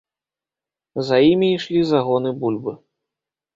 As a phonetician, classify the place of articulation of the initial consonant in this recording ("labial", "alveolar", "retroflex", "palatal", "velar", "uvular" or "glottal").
alveolar